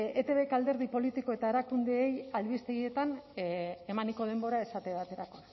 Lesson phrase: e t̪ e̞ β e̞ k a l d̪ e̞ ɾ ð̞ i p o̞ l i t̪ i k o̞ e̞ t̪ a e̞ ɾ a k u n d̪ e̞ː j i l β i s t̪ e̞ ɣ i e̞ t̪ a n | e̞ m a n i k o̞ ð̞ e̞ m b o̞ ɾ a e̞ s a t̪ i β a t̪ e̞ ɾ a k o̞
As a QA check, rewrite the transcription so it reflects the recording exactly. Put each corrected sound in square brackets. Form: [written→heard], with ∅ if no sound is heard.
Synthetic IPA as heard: e t̪ e̞ β e̞ k a l d̪ e̞ ɾ ð̞ i p o̞ l i t̪ i k o̞ e̞ t̪ a e̞ ɾ a k u n d̪ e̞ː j [i→a] l β i s t̪ e̞ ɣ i e̞ t̪ a n | e̞ m a n i k o̞ ð̞ e̞ m b o̞ ɾ a e̞ s a t̪ [i→e] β a t̪ e̞ ɾ a k o̞